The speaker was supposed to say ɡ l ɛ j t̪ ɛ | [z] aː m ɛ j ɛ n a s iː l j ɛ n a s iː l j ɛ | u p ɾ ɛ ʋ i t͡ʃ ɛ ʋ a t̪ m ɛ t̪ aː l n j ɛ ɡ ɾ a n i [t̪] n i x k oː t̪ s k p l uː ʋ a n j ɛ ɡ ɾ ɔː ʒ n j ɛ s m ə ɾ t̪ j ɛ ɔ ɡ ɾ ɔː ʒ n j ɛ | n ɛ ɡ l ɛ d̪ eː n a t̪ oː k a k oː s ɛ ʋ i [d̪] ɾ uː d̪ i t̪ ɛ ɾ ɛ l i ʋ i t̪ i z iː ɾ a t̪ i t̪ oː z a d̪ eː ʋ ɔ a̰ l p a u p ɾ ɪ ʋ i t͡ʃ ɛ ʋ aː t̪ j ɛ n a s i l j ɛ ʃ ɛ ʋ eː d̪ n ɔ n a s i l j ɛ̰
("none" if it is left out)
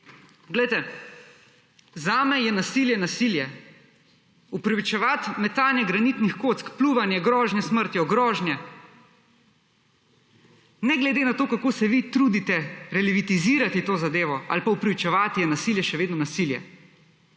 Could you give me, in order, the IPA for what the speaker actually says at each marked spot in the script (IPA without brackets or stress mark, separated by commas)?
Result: z, t̪, t̪